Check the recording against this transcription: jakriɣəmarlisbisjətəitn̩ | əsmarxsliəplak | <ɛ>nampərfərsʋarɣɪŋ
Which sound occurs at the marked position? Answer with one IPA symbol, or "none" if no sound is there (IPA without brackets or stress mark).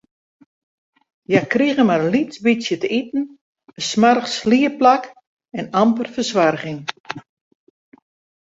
ɛ